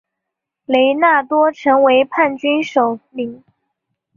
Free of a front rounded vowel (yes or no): no